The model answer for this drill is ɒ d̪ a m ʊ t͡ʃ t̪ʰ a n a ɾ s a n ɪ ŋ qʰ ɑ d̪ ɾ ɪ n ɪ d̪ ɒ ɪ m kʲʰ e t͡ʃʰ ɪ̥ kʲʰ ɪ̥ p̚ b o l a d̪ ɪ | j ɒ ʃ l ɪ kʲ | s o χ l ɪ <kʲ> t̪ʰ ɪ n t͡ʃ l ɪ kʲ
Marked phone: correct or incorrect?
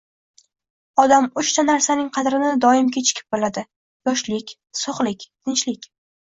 correct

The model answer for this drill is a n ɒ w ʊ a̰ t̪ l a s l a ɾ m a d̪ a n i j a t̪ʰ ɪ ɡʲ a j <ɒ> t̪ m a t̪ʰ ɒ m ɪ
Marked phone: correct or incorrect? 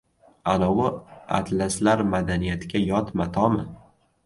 correct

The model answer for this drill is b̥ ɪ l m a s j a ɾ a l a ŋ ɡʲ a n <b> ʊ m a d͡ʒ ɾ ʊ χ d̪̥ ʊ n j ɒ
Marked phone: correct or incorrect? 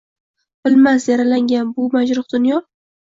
correct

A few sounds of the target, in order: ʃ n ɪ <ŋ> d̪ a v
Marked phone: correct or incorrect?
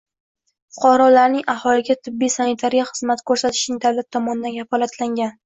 correct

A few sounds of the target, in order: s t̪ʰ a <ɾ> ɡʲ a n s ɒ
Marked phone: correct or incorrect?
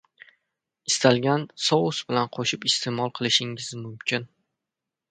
incorrect: l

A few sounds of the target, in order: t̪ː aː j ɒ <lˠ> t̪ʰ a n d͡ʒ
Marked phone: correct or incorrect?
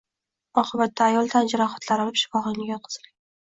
correct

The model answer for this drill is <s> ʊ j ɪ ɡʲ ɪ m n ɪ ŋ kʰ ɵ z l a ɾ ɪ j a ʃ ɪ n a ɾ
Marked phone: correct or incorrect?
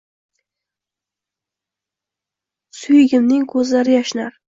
correct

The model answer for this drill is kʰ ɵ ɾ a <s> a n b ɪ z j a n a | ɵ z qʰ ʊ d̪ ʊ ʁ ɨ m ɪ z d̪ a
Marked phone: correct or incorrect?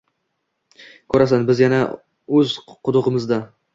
correct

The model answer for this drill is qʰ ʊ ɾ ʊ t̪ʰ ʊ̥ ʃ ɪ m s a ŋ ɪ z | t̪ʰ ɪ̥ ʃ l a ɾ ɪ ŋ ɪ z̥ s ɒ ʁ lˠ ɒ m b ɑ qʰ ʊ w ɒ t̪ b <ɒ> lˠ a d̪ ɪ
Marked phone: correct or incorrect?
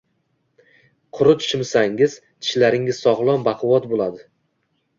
incorrect: o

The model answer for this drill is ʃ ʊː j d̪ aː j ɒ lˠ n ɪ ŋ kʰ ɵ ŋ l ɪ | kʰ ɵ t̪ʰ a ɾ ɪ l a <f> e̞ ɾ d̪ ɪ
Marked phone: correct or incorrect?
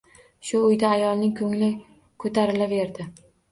incorrect: v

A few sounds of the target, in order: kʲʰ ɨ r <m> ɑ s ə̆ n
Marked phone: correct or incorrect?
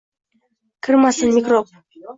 correct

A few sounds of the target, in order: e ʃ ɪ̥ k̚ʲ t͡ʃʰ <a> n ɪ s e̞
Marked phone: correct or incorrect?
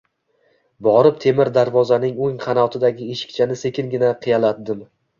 correct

